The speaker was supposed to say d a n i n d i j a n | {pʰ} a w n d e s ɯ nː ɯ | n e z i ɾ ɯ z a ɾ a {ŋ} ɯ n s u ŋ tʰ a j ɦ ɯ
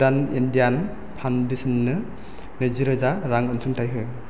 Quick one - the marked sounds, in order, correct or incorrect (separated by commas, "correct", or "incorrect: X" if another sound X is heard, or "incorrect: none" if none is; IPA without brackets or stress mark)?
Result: correct, correct